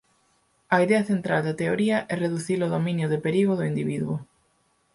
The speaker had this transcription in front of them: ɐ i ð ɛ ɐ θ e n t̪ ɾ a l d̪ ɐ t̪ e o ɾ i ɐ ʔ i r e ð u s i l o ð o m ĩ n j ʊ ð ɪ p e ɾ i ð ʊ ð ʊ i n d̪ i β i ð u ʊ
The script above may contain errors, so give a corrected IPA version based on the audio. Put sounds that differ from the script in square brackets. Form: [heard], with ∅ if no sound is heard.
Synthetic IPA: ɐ i ð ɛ ɐ θ e n t̪ ɾ a l d̪ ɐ t̪ e o ɾ i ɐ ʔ [ɛ] r e ð u [θ] i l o ð o m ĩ n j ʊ ð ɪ p e ɾ i [ɣ] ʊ ð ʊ i n d̪ i β i ð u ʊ